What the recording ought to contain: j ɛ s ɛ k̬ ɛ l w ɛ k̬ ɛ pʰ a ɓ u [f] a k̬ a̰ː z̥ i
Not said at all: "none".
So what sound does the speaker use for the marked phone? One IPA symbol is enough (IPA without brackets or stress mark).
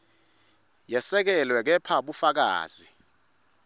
f